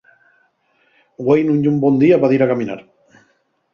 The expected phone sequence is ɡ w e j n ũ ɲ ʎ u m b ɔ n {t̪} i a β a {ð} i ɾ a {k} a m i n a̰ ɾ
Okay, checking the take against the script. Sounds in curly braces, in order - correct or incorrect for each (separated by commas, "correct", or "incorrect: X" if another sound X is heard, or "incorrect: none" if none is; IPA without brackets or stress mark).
incorrect: d̪, correct, correct